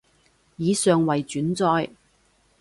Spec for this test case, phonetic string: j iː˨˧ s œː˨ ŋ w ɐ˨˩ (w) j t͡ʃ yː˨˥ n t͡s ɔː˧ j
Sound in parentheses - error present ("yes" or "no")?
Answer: yes